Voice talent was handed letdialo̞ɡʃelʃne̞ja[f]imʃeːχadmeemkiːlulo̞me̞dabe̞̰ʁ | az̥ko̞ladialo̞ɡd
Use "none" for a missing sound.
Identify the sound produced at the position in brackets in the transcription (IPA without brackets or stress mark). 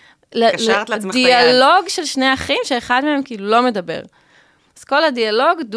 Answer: χ